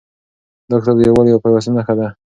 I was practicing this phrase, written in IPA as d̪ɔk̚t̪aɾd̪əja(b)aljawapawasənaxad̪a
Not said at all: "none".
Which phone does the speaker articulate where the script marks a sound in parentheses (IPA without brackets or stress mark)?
w